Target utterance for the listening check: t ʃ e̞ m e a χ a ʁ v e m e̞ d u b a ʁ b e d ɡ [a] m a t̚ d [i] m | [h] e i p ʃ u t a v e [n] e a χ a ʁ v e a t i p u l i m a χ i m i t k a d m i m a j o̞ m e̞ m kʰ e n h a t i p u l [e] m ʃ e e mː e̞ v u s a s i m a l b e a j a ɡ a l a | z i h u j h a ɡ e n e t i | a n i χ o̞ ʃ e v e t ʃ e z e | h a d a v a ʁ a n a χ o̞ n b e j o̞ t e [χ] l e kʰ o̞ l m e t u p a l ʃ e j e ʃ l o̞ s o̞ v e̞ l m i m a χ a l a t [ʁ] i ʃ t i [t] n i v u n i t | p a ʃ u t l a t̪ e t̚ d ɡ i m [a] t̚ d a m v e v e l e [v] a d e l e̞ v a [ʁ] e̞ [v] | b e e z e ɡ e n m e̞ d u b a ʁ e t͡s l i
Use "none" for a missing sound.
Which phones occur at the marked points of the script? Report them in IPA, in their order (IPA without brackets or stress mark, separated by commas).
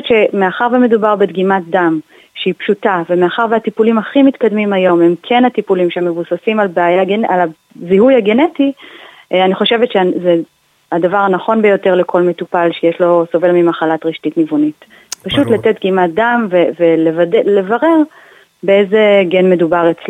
i, a, ʃ, m, i, ʁ, ʁ, t, a, v, ʁ, ʁ